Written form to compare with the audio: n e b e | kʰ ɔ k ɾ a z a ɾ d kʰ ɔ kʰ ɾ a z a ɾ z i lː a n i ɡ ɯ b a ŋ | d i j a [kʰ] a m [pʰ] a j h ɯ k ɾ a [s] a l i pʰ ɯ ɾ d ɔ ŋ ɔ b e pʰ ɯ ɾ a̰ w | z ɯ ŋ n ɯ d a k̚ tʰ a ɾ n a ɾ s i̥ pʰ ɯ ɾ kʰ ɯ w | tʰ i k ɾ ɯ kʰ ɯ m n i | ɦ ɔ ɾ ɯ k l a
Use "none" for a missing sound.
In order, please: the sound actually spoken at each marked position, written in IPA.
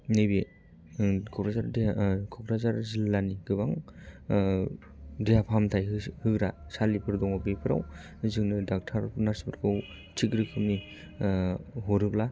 pʰ, tʰ, s

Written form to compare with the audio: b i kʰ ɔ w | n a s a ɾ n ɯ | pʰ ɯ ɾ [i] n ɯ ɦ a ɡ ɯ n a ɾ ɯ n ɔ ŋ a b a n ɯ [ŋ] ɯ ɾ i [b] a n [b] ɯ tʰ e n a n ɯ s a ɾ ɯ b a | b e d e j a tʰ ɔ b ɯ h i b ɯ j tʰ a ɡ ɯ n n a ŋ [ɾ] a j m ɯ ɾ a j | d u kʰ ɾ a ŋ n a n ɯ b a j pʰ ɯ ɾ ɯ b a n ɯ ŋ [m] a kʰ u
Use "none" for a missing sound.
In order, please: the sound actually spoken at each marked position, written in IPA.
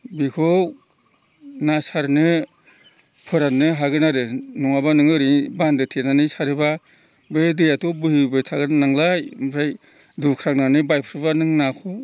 a, ŋ, b, d, l, n

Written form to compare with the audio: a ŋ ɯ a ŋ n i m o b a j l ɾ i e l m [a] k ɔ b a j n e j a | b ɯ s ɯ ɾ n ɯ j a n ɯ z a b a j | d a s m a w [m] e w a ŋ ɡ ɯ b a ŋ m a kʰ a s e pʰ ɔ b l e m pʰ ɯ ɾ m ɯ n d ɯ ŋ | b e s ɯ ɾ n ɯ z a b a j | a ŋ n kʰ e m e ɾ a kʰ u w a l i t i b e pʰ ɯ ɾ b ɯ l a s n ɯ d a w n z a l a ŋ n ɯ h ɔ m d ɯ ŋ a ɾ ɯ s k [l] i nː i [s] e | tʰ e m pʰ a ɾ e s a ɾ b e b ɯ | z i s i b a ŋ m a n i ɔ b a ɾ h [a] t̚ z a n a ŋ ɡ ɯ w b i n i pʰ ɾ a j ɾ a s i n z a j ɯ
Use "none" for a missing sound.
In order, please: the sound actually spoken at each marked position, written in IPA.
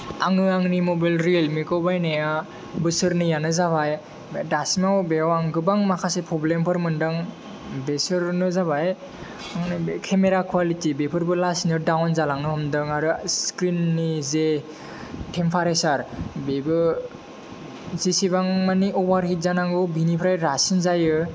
i, b, ɾ, z, i

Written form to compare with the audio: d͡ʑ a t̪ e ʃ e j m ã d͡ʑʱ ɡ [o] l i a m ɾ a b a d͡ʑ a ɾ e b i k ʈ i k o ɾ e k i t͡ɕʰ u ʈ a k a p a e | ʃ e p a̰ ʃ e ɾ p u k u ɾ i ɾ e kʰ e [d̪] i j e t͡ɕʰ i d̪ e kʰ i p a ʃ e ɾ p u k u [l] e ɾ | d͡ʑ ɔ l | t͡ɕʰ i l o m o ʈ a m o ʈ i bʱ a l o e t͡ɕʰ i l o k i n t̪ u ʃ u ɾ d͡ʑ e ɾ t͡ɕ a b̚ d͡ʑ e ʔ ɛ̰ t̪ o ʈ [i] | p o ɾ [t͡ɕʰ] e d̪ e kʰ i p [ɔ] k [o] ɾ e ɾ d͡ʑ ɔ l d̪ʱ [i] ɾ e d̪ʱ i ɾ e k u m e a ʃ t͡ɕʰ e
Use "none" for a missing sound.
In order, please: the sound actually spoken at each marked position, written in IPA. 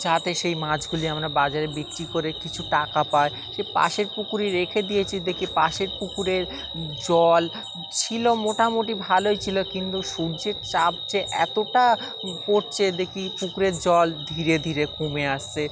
u, d̪, ɾ, a, t͡ɕʰ, u, u, i

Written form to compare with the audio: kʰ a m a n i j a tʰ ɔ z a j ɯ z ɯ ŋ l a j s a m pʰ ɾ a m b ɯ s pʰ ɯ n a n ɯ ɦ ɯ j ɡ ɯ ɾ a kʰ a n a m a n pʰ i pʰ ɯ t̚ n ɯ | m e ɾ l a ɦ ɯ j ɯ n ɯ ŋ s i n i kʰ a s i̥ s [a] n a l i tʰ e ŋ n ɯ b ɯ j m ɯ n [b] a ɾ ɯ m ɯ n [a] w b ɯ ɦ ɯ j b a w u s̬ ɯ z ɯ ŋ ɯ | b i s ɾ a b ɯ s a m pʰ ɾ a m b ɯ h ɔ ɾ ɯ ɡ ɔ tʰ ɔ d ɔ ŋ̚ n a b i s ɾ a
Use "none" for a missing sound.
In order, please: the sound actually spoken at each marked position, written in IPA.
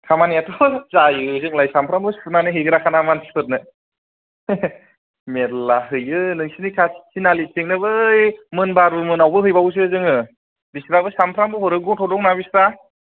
i, b, a

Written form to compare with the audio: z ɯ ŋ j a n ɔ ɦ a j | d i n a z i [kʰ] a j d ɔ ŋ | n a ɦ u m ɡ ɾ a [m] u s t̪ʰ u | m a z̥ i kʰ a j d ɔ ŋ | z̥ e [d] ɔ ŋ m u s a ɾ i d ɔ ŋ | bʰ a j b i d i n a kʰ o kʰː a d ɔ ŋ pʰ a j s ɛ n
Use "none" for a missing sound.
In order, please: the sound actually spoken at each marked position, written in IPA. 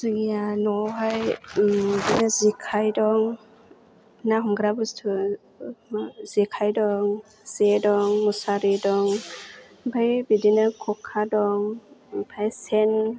kʰ, b, d

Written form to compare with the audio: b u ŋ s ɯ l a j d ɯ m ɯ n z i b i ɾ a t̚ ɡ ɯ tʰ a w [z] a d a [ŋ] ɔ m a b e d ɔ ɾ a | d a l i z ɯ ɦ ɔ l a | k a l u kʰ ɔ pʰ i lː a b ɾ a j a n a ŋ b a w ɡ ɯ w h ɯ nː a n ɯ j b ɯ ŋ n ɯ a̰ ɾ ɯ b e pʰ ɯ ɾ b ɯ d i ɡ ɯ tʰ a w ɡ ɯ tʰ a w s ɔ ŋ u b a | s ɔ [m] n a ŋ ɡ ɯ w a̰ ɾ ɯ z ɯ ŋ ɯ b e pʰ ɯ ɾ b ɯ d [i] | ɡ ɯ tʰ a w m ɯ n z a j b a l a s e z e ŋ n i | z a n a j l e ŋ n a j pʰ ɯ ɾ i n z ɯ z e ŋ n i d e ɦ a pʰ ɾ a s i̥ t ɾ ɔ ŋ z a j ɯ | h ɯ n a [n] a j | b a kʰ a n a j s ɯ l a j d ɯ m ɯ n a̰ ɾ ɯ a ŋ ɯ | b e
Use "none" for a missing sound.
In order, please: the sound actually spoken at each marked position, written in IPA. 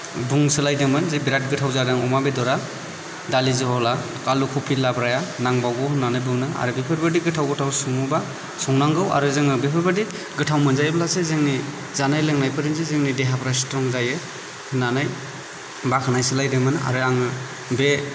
z, ŋ, ŋ, i, n

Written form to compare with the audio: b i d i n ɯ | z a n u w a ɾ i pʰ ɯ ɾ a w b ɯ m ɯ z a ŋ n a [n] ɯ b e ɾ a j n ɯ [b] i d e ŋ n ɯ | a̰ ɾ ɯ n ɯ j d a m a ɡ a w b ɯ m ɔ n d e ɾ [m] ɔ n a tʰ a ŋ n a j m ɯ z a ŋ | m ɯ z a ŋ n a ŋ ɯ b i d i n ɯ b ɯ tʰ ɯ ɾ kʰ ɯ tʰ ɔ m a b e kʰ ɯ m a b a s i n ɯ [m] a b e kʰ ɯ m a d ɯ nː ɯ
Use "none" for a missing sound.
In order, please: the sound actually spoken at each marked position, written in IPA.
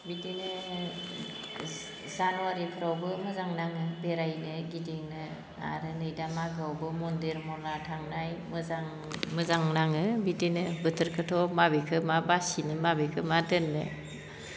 ŋ, ɡ, m, m

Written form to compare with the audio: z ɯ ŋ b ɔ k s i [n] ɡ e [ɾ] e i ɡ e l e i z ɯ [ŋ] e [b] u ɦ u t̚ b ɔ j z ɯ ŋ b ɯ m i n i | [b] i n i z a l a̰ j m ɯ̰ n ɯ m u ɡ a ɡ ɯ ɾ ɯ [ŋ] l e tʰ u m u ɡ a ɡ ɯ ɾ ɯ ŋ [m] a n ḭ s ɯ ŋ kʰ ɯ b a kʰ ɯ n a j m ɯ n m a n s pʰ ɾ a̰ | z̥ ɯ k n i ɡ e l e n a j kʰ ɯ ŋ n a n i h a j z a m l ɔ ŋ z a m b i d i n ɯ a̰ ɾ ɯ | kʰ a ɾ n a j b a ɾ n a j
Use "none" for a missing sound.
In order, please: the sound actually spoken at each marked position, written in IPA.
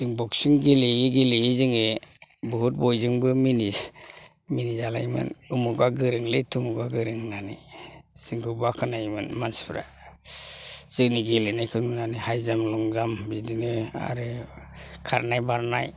ŋ, l, ŋ, b, m, ŋ, n

